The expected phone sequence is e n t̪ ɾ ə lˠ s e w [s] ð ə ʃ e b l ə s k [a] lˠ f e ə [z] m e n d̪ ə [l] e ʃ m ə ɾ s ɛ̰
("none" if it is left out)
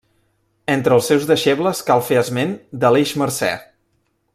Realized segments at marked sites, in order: z, a, z, l

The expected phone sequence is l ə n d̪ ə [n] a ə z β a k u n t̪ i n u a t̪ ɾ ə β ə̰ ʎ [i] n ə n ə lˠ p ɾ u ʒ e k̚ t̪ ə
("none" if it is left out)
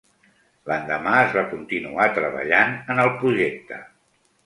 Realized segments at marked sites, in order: m, a

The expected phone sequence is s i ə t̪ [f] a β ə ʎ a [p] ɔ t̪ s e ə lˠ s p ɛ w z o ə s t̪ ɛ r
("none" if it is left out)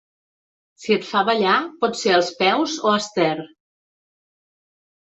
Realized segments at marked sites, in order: f, p

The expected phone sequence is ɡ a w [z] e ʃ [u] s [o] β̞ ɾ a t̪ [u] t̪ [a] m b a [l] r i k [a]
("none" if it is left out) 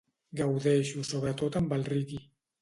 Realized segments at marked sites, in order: ð, u, o, o, a, l, i

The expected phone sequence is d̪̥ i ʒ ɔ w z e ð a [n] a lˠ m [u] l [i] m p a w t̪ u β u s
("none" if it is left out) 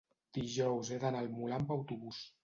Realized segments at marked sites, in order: n, u, a

